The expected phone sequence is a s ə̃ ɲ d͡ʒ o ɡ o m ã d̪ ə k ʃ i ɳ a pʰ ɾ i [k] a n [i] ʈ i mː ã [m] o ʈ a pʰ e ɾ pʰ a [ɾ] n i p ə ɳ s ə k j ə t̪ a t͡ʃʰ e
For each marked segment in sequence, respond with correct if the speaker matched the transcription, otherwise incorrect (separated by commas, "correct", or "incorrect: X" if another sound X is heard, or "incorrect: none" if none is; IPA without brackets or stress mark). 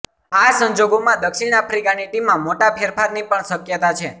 correct, correct, correct, correct